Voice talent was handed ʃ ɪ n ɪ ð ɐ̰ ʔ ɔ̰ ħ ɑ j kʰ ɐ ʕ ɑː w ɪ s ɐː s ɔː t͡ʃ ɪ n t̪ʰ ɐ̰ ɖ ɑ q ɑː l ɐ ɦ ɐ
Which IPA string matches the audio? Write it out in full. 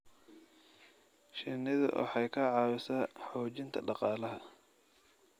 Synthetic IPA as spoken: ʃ ɪ n ɪ ð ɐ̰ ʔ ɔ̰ ħ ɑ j kʰ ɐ ʕ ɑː w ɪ s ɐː ħ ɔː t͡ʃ ɪ n t̪ʰ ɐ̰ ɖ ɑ q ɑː l ɐ ɦ ɐ